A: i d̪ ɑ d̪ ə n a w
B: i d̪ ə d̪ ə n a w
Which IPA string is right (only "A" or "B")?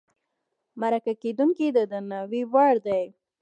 B